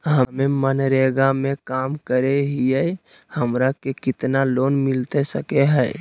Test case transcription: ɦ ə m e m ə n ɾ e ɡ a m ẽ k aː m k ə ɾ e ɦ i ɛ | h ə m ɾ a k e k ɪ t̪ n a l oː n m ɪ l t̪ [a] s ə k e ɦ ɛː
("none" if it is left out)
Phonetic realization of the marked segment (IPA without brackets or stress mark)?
e